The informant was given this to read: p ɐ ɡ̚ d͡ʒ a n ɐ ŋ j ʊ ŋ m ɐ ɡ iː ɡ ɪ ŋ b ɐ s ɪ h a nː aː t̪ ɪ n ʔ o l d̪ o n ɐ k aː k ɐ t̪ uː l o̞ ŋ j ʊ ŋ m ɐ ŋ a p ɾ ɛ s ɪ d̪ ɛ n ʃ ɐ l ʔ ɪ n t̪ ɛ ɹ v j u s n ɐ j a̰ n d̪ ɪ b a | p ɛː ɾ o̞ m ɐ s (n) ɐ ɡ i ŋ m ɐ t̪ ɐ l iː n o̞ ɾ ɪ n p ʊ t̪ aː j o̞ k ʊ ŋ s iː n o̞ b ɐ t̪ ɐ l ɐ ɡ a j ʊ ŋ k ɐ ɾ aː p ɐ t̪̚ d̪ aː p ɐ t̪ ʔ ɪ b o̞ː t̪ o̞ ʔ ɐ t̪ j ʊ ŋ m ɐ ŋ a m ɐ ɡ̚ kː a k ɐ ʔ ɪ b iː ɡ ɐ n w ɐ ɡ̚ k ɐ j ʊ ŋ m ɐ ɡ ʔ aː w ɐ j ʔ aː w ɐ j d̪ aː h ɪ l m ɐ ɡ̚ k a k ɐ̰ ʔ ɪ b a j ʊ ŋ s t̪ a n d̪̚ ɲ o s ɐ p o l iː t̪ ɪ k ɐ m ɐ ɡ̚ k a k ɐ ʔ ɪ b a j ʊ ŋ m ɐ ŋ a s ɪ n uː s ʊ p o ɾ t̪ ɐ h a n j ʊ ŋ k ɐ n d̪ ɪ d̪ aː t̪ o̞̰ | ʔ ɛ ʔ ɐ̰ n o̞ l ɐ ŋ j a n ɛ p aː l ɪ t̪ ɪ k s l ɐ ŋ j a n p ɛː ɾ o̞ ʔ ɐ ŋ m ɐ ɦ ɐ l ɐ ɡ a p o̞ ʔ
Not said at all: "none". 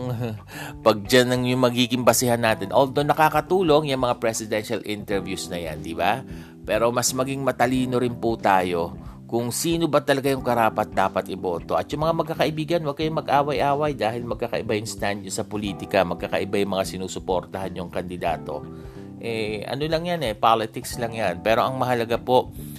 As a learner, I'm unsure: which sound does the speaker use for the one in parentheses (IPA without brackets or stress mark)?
m